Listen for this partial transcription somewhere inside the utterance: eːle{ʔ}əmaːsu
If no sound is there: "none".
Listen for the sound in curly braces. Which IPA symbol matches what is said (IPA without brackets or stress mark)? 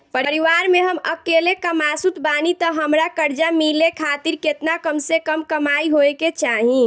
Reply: k